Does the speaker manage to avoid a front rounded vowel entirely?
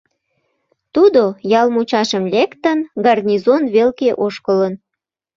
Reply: yes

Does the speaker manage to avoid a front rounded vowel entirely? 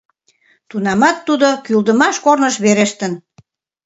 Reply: no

